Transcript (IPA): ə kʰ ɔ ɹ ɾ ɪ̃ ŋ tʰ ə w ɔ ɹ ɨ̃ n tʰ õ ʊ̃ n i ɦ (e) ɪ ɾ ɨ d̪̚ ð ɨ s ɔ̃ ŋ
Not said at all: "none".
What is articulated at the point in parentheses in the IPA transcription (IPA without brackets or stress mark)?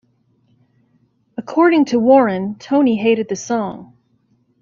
e